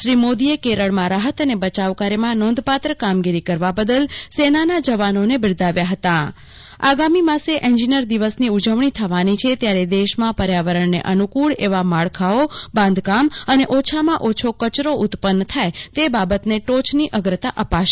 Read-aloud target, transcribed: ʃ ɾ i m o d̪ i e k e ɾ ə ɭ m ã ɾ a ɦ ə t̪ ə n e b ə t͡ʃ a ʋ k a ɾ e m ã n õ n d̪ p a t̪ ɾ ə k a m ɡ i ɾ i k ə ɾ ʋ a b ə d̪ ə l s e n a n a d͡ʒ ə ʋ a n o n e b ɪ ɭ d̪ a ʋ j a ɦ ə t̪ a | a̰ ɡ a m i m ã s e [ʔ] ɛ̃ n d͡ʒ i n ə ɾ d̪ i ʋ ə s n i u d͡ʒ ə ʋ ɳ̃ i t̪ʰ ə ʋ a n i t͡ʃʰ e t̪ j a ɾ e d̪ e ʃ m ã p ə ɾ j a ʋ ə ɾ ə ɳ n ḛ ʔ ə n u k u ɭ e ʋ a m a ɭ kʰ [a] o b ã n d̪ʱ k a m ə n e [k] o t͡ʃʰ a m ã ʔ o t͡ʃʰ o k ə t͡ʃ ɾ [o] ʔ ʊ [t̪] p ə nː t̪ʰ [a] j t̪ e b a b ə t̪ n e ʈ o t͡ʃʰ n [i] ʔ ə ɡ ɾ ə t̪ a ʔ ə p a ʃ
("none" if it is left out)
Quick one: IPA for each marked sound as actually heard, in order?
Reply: ʔ, a, ʔ, o, t̪, a, i

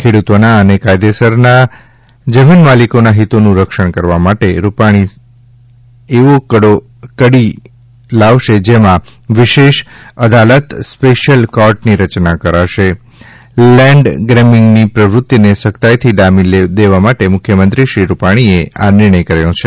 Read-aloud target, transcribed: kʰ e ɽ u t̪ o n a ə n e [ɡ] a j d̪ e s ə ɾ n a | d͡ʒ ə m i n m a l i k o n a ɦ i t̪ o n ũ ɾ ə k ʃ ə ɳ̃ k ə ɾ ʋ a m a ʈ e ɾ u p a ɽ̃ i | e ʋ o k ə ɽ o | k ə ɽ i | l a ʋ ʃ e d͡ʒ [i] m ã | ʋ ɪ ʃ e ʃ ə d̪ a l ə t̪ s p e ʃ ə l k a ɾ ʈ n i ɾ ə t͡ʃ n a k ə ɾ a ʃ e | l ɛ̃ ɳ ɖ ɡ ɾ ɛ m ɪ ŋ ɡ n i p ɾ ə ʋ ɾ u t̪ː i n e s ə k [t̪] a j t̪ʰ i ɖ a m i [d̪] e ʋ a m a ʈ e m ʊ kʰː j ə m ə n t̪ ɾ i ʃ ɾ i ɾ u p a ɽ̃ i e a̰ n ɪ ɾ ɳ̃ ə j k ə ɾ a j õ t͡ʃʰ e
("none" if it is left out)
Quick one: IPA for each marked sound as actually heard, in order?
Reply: k, e, t̪, d̪

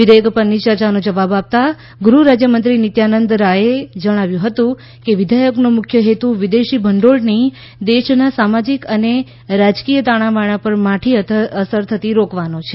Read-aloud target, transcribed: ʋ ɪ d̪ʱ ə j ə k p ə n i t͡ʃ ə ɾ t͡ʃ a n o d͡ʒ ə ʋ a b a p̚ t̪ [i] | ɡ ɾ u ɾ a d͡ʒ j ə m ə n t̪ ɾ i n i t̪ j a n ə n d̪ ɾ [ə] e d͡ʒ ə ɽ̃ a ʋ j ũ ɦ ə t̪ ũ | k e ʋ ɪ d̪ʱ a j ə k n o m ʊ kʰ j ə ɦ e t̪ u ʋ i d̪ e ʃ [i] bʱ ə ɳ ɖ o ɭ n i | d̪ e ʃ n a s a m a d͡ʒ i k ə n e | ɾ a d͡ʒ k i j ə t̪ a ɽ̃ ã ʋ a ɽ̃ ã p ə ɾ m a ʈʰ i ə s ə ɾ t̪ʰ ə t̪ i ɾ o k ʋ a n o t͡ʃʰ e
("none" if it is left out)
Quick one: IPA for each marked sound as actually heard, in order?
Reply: a, a, i

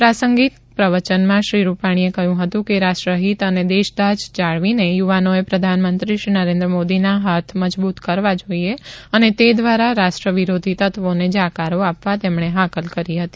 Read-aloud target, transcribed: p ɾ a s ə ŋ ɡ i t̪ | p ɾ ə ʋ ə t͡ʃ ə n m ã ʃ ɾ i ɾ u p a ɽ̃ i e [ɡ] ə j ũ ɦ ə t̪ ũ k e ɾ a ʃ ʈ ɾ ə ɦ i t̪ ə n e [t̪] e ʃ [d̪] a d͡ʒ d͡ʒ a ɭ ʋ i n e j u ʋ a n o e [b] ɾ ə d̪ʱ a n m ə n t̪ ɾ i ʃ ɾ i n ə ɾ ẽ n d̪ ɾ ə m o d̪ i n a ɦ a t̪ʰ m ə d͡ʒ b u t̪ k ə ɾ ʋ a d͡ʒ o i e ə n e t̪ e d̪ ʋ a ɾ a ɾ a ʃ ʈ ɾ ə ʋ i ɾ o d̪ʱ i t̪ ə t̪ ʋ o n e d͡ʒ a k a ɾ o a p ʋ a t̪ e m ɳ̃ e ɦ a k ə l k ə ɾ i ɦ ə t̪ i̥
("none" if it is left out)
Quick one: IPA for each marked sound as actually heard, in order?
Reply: k, d̪, d̪, p

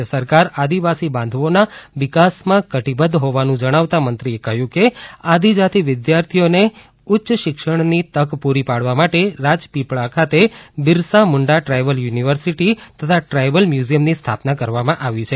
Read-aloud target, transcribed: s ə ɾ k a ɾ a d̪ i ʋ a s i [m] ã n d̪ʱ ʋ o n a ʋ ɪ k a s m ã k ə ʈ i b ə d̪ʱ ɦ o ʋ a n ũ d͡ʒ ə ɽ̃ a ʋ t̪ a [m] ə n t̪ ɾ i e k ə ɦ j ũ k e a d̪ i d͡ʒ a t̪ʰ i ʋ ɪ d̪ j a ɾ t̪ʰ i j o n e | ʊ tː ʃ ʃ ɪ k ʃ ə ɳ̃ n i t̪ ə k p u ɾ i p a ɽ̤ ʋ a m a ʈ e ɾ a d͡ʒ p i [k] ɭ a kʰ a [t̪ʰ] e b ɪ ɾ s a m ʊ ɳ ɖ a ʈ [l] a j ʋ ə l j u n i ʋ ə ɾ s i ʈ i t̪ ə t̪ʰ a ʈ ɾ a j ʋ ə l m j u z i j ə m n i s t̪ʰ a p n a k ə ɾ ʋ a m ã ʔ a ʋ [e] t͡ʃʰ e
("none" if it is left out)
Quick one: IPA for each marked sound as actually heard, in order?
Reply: b, m, p, t̪, ɾ, i

